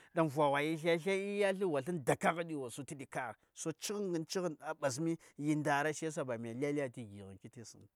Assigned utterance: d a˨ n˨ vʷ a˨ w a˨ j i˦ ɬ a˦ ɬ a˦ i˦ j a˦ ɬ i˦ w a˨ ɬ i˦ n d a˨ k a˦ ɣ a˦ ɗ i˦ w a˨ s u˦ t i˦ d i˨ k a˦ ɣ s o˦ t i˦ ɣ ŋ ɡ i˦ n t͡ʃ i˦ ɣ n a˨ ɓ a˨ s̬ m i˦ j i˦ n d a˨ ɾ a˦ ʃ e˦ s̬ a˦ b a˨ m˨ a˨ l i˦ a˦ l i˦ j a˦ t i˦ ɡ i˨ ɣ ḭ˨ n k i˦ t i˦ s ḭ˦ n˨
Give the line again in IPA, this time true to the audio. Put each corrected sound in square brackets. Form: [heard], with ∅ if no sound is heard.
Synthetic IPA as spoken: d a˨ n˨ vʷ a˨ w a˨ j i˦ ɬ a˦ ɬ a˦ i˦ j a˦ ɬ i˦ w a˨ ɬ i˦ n d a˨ k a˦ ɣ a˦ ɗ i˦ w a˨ s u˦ t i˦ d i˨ k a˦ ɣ s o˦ [t͡ʃ] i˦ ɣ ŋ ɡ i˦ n t͡ʃ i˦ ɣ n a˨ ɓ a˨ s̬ m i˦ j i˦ n d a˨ ɾ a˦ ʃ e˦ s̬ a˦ b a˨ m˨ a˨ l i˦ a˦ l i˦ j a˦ t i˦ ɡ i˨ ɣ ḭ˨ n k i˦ t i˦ s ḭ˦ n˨